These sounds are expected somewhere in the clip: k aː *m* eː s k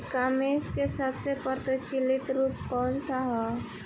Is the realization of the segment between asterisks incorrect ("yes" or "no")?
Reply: no